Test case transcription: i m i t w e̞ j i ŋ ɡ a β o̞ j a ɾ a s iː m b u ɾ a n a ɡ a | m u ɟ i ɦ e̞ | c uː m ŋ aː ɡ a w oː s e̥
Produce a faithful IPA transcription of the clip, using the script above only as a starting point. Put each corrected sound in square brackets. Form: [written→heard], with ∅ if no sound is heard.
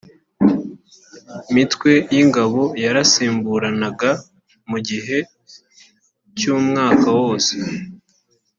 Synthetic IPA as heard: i m i t w e̞ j i ŋ ɡ a β o̞ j a ɾ a s iː m b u ɾ a n a ɡ a | m u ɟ i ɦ e̞ | c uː m ŋ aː [ɡ→k] a w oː s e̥

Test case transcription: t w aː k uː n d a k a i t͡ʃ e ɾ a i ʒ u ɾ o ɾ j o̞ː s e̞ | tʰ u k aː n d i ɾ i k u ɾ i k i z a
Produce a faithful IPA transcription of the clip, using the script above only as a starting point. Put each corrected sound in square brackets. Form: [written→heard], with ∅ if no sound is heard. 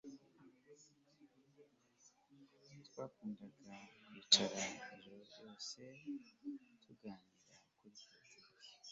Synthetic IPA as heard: t w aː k uː n d a [k→ɡ] a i t͡ʃ [e→a] ɾ a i ʒ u ɾ o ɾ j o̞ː s e̞ | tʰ u [k→ɡ] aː n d i ɾ [i→a] k u ɾ i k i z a

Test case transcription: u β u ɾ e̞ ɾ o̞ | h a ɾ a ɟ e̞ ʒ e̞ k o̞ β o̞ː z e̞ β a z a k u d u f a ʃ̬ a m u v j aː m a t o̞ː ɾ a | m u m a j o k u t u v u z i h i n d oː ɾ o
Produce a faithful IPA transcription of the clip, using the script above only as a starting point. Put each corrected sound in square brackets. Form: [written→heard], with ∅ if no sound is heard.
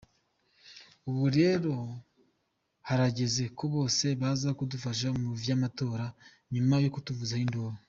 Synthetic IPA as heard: u β u ɾ e̞ ɾ o̞ | h a ɾ a ɟ e̞ [ʒ→z] e̞ k o̞ β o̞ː [z→s] e̞ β a z a k u d u f a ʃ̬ a m u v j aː m a t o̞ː ɾ a | [m→ɲ] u m a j o k u t u v u z [i→a] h i n d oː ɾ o

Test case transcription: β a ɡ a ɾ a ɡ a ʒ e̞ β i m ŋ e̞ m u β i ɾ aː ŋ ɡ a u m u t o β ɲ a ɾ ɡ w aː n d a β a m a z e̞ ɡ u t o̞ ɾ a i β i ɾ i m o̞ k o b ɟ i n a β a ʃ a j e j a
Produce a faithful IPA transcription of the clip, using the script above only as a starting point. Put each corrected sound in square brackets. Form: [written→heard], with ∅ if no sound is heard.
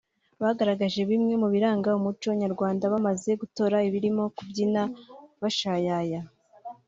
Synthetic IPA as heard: β a ɡ a ɾ a ɡ a ʒ e̞ β i m ŋ e̞ m u β i ɾ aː ŋ ɡ a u m u [t→t͡ʃ] o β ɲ a ɾ ɡ w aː n d a β a m a z e̞ ɡ u t o̞ ɾ a i β i ɾ i m o̞ k [o→u] b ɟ i n a β a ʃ a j [e→a] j a

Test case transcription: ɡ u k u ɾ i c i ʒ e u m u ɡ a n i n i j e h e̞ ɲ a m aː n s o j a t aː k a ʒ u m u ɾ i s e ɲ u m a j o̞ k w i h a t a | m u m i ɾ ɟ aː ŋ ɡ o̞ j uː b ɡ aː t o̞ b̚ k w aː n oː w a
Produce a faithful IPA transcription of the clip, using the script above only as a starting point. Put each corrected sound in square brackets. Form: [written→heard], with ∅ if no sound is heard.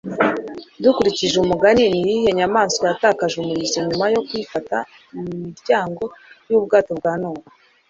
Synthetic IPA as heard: [ɡ→d] u k u ɾ i c i ʒ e u m u ɡ a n i n i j [e→i] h e̞ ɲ a m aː n s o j a t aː k a ʒ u m u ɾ i [s→z] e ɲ u m a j o̞ k w i [h→f] a t a | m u m i ɾ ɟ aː ŋ ɡ o̞ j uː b ɡ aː t o̞ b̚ [k→ɡ] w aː n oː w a

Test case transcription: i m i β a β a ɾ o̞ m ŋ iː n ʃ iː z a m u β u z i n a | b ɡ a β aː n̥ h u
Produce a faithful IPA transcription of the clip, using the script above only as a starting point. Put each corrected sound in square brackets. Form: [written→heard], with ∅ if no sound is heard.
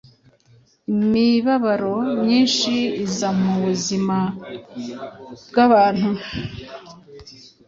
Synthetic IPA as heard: i m i β a β a ɾ o̞ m [ŋ→ɲ] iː n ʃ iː z a m u β u z i [n→m] a | b ɡ a β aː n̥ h u

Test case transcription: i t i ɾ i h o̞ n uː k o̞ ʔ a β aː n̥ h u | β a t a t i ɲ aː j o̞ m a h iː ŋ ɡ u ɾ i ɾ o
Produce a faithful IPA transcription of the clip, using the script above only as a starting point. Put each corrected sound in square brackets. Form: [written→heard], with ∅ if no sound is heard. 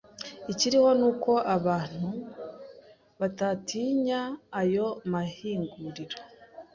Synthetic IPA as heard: i [t→c] i ɾ i h o̞ n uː k o̞ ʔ a β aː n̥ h u | β a t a t i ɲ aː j o̞ m a h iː ŋ ɡ u ɾ i ɾ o

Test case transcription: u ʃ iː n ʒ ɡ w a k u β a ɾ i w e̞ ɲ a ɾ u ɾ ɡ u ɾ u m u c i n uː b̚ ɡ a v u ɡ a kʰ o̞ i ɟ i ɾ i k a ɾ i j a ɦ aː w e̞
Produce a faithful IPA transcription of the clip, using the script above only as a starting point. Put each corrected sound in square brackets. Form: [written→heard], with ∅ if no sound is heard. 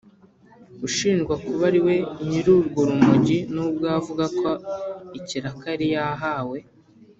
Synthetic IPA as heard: u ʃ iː n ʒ ɡ w a k u β a ɾ i w e̞ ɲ [a→i] ɾ u ɾ ɡ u ɾ u m u [c→ɟ] i n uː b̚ ɡ a v u ɡ a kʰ o̞ i [ɟ→c] i ɾ [i→a] k a ɾ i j a ɦ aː w e̞

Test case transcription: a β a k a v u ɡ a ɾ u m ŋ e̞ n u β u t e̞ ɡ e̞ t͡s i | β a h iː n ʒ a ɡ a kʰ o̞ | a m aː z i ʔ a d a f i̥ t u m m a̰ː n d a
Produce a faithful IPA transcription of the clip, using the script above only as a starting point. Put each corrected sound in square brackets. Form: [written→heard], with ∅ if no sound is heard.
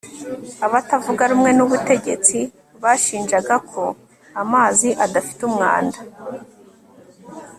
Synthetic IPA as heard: a β a [k→t] a v u ɡ a ɾ u m ŋ e̞ n u β u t e̞ [ɡ→ɟ] e̞ t͡s i | β a [h→ʃ] iː n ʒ a ɡ a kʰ o̞ | a m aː z i ʔ a d a f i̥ t u m [m→ŋ] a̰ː n d a

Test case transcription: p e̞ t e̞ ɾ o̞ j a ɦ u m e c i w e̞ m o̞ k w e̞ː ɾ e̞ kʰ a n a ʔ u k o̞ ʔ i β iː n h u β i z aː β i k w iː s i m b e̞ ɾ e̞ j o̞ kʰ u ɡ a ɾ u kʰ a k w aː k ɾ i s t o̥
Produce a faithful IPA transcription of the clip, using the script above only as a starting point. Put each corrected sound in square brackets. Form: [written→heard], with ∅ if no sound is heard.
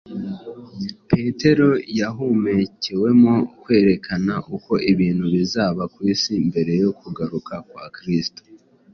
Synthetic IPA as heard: p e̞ t e̞ ɾ o̞ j a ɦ u m e c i w e̞ m o̞ k w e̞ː ɾ e̞ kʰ a n a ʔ u k o̞ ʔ i β iː n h u β i z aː β [i→a] k w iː s i m b e̞ ɾ e̞ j o̞ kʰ u ɡ a ɾ u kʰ a k w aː k ɾ i s t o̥

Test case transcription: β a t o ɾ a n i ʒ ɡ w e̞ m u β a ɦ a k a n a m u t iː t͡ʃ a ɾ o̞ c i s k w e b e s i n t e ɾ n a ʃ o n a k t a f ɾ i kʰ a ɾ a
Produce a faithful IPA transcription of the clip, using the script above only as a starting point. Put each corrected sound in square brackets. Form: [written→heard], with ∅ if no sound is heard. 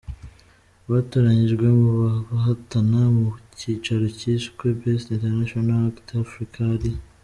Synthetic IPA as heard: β a t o ɾ a [n→ɲ] i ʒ ɡ w e̞ m u β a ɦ a [k→t] a n a m u [t→c] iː t͡ʃ a ɾ o̞ c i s k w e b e s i n t e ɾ n a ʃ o n a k t a f ɾ i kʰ a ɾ [a→i]

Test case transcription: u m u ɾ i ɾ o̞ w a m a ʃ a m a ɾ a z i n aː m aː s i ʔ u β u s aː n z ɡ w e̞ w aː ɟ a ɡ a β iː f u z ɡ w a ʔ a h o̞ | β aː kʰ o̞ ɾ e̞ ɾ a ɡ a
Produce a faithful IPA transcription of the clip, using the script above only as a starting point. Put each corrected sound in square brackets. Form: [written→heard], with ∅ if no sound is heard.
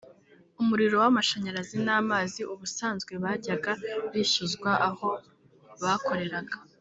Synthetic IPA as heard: u m u ɾ i ɾ o̞ w a m a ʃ a [m→ɲ] a ɾ a z i n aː m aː [s→z] i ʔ u β u s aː n z ɡ w e̞ [w→β] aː ɟ a ɡ a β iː [f→ʃ] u z ɡ w a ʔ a h o̞ | β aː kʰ o̞ ɾ e̞ ɾ a ɡ a

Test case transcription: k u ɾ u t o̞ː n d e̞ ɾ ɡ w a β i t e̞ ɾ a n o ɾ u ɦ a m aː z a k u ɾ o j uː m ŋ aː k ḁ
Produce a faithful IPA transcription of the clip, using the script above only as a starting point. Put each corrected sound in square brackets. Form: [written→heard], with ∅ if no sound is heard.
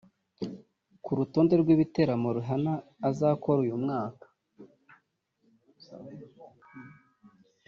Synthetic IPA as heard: k u ɾ u t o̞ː n d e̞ ɾ ɡ w [a→i] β i t e̞ ɾ a [n→m] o ɾ u ɦ a [m→n] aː z a k [u→o] ɾ [o→u] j [uː→u] m ŋ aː k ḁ

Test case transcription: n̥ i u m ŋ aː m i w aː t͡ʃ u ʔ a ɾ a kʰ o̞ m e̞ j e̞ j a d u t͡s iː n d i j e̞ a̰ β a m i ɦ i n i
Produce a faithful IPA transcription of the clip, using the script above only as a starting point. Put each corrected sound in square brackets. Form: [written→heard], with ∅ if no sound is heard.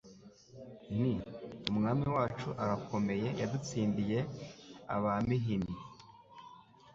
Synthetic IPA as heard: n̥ i u m ŋ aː m i w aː t͡ʃ u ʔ a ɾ a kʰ o̞ m e̞ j e̞ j a d u t͡s iː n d i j e̞ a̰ β a m i ɦ i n i

